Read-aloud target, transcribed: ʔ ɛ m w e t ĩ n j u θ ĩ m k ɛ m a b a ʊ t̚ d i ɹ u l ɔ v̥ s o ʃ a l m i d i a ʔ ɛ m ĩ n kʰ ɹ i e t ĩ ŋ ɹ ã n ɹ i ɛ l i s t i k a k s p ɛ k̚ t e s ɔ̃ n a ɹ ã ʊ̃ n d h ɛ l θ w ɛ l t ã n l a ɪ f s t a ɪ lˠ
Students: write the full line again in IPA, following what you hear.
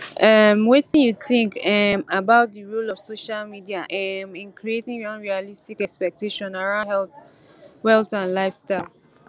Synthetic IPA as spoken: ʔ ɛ m w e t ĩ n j u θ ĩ ŋ k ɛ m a b a ʊ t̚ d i ɹ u l ɔ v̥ s o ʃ a l m i d i a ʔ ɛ m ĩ n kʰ ɹ i e t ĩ ŋ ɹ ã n ɹ i a l i s t i k ɛ k s p ɛ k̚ t e ʃ ɔ̃ n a ɹ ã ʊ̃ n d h ɛ l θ w ɛ l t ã n l a ɪ f s t a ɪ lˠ

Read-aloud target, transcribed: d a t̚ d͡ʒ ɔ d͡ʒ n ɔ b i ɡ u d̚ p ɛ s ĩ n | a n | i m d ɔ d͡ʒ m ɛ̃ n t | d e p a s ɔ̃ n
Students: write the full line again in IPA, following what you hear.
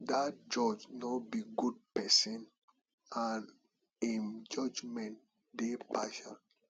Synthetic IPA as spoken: d a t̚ d͡ʒ ɔ d͡ʒ n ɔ b i ɡ u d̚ p ɛ s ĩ n | a n | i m d͡ʒ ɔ d͡ʒ m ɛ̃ n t | d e p a ʃ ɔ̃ n

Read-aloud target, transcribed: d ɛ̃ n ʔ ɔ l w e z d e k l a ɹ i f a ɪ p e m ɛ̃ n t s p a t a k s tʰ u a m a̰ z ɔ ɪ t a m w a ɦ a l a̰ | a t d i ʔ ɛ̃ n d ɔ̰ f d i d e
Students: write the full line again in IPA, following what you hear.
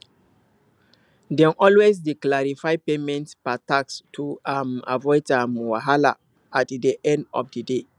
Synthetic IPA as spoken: d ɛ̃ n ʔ ɔ l w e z d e k l a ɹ i f a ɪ p e m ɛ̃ n t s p a t a k s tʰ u a m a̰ v ɔ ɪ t a m w a ɦ a l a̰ | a t d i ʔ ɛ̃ n d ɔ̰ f d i d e

